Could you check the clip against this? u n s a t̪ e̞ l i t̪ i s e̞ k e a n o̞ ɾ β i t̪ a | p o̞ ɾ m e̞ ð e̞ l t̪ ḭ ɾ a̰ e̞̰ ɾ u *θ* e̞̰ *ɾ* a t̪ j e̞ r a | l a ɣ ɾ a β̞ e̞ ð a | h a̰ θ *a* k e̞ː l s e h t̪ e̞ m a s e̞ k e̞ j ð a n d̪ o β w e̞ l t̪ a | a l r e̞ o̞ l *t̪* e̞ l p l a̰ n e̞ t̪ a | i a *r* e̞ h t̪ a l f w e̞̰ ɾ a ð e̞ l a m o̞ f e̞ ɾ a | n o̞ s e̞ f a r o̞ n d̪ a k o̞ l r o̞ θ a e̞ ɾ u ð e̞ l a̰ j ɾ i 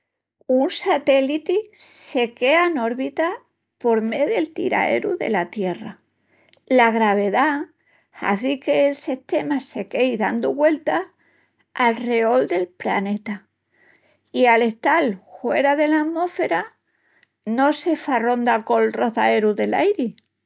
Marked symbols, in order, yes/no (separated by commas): no, no, no, no, no